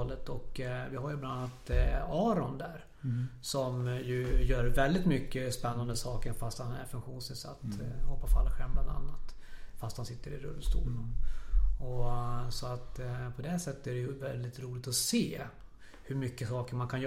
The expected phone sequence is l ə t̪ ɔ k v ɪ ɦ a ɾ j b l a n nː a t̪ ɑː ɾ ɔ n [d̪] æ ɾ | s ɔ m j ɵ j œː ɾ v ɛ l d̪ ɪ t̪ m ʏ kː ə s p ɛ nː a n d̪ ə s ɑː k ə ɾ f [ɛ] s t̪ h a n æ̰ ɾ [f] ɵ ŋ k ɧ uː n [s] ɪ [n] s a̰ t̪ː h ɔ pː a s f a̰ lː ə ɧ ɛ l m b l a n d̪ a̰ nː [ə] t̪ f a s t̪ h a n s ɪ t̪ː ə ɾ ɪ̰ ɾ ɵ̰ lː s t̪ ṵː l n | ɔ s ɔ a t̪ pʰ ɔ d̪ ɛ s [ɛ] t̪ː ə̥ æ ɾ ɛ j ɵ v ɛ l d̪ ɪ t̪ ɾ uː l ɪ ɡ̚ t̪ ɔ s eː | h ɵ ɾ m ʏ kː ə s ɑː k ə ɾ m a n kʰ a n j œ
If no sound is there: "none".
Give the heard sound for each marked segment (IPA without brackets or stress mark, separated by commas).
d̪, a, f, s, n, a, ɛ